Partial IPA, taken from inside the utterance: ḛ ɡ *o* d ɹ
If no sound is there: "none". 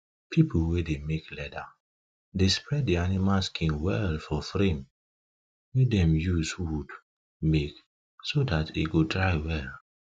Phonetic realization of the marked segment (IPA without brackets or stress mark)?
o